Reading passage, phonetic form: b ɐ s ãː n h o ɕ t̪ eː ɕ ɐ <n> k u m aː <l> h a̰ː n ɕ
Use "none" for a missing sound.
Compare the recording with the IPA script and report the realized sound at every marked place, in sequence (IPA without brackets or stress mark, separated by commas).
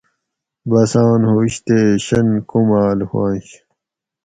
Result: n, l